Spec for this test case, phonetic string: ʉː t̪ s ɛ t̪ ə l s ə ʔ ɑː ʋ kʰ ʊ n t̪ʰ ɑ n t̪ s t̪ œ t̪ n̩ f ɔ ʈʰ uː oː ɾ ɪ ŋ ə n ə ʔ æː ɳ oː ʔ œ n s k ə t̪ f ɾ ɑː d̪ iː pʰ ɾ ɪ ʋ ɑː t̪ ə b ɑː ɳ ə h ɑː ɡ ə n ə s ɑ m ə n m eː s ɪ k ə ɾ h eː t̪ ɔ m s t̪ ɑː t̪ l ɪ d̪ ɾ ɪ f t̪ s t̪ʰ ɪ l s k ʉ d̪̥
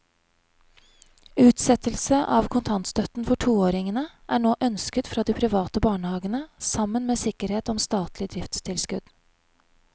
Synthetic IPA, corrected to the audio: ʉː t̪ s ɛ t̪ ə l s ə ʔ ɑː ʋ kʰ ʊ n t̪ʰ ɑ n t̪ s t̪ œ t̪ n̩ f ɔ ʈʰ uː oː ɾ ɪ ŋ ə n ə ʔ æː ɳ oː ʔ œ n s k ə t̪ f ɾ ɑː d̪ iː pʰ ɾ ɪ ʋ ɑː t̪ ə b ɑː ɳ ə h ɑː ɡ ə n ə s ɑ m ə n m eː s ɪ k ə ɾ h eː t̪ ɔ m s t̪ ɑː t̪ l ɪ d̪ ɾ ɪ f t̪ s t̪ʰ ɪ l s k ʉ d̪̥

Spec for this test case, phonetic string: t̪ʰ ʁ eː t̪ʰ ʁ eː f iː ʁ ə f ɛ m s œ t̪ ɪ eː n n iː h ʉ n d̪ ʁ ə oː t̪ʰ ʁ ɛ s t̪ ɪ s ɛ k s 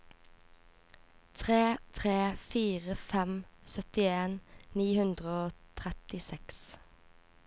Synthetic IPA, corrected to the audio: t̪ʰ ʁ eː t̪ʰ ʁ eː f iː ʁ ə f ɛ m s œ t̪ ɪ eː n n iː h ʉ n d̪ ʁ ə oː t̪ʰ ʁ ɛ t̪ ɪ s ɛ k s

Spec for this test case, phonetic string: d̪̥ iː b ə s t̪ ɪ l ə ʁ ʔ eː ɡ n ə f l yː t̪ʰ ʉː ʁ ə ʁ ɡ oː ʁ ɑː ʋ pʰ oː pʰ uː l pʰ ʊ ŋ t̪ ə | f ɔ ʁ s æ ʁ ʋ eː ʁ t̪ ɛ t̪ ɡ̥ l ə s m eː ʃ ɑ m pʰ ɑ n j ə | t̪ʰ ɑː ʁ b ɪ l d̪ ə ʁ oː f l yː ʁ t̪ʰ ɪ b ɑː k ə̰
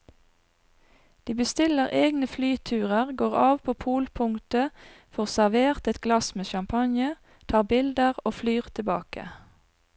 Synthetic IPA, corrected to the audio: d̪̥ iː b ə s t̪ ɪ l ə ʁ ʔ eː ɡ n ə f l yː t̪ʰ ʉː ʁ ə ʁ ɡ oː ʁ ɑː ʋ pʰ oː pʰ uː l pʰ ʊ ŋ t̪ ə | f ɔ ʁ s æ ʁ ʋ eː ʁ t̪ ɛ t̪ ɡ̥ l ɑ s m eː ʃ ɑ m pʰ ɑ n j ə | t̪ʰ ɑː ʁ b ɪ l d̪ ə ʁ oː f l yː ʁ t̪ʰ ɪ b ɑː k ə̰

